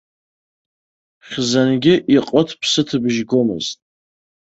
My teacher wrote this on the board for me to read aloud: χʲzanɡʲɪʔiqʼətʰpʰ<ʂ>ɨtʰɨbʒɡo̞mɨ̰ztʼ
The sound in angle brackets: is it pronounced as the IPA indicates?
no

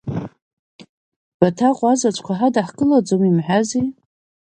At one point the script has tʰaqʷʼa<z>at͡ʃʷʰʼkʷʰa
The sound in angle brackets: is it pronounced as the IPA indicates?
yes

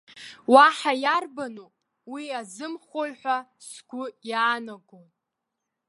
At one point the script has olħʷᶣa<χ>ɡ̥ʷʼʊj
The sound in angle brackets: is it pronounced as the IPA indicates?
no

